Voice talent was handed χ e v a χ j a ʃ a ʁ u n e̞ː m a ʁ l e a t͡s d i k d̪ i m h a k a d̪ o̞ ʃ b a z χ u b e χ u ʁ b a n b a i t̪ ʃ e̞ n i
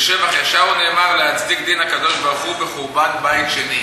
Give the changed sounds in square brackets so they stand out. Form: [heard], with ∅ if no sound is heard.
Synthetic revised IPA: [ʃ] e v a χ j a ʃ a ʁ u n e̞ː m a ʁ l e a t͡s d i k d̪ i [n] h a k a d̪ o̞ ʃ b a [ʁ] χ u b e χ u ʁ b a n b a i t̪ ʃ e̞ n i